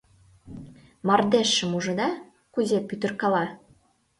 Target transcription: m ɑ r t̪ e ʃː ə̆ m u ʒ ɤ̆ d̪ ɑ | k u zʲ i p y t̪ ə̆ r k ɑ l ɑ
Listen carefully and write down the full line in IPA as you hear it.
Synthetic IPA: m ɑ r d̪ e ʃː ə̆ m u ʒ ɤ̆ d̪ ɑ | k u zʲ e p y t̪ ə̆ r k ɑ l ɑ